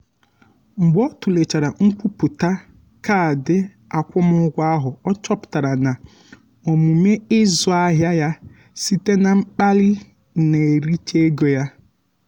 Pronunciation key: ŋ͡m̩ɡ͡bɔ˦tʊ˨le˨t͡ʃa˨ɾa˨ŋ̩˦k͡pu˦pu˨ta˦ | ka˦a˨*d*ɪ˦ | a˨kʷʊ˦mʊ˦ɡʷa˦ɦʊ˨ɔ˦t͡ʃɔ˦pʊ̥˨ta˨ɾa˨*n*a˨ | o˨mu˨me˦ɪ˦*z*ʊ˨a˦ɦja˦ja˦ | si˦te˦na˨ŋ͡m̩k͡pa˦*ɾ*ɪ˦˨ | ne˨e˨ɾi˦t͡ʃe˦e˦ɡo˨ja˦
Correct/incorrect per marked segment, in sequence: correct, correct, correct, incorrect: l

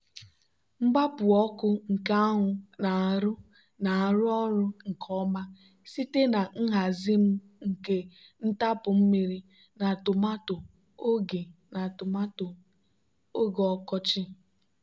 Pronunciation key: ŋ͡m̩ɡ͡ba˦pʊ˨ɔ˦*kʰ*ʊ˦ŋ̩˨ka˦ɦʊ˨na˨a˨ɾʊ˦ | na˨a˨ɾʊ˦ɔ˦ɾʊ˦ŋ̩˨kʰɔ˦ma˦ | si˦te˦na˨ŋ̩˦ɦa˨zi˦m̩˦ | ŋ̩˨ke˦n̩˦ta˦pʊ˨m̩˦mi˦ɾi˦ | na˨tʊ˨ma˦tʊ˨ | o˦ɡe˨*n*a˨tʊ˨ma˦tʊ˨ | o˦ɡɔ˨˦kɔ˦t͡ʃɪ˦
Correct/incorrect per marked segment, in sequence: incorrect: k, correct

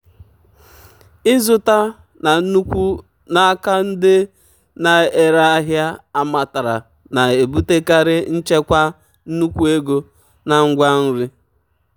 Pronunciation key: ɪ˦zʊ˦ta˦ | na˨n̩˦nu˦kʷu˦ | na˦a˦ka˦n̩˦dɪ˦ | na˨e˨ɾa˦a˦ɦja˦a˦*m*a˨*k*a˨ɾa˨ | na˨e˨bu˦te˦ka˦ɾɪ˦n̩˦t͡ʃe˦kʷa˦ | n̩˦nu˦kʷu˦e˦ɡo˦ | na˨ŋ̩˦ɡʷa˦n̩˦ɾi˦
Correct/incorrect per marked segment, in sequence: correct, incorrect: t

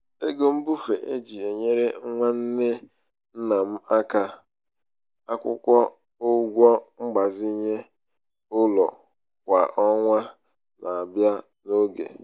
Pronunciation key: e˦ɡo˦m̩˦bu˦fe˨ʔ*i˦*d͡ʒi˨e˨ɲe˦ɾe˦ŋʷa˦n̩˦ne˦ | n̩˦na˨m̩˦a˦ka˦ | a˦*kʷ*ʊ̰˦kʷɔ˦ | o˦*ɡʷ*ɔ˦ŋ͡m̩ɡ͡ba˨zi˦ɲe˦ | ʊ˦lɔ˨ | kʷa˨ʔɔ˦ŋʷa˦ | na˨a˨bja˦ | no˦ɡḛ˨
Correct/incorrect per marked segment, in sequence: incorrect: e˦, correct, correct

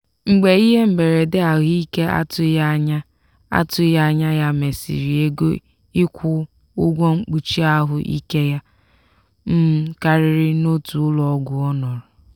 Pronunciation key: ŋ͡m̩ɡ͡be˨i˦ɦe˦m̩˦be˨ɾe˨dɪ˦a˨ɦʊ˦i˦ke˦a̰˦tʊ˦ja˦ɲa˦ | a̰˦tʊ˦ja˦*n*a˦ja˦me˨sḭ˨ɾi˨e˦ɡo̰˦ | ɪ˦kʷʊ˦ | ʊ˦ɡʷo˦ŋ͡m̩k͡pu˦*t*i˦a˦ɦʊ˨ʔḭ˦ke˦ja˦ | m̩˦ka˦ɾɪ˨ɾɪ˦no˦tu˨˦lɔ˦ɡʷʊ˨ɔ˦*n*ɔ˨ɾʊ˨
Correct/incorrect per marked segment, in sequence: incorrect: ɲ, incorrect: t͡ʃ, correct

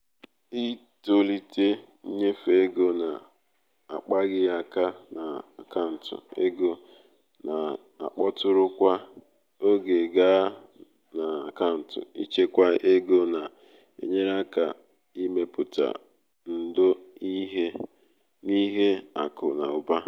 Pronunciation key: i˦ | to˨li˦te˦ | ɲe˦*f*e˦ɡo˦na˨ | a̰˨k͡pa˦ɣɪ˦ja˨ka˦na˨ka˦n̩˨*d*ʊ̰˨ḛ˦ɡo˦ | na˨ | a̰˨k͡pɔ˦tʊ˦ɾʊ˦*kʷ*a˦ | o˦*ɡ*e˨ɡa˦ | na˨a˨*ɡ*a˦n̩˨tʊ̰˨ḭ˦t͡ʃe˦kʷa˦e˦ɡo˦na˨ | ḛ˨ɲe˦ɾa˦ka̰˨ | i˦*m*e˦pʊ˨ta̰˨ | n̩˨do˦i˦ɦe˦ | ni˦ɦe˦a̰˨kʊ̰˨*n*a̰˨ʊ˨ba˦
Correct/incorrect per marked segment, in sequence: correct, incorrect: t, correct, correct, incorrect: k, correct, correct

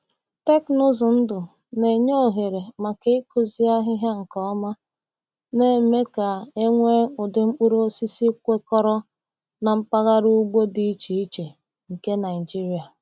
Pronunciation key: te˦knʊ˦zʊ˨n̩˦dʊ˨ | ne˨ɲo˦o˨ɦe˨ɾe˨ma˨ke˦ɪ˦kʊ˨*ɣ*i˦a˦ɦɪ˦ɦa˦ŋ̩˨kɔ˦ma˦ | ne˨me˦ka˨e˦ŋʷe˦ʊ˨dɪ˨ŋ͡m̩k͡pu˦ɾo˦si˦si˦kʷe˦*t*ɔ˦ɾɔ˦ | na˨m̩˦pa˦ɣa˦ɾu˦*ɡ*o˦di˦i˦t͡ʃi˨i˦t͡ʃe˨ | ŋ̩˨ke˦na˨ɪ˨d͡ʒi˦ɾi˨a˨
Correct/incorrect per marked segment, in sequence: incorrect: z, incorrect: k, incorrect: ɡ͡b

